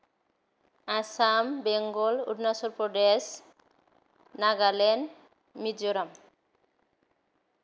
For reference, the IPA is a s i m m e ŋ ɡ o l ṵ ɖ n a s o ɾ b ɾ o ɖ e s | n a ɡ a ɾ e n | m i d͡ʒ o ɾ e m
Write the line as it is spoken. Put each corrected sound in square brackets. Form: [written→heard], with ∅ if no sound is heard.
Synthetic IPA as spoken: a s [i→a] m [m→b] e ŋ ɡ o l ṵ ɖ n a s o ɾ [b→p] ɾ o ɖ e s | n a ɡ a [ɾ→l] e n | m i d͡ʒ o ɾ [e→a] m